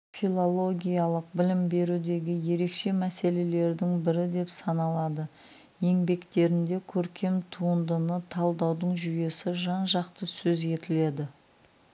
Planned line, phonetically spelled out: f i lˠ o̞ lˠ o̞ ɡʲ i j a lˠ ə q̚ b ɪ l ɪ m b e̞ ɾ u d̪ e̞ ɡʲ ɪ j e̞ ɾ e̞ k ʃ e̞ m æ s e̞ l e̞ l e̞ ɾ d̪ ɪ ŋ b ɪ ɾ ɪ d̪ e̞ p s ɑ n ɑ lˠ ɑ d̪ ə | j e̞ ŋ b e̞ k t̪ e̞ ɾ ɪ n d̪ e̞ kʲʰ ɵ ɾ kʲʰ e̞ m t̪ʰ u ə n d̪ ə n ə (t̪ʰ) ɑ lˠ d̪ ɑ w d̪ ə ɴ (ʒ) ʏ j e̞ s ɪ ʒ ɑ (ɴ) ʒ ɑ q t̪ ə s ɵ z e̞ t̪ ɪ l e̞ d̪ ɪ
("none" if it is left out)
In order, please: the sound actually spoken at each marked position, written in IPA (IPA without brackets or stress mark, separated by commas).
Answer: t̪ʰ, ʒ, n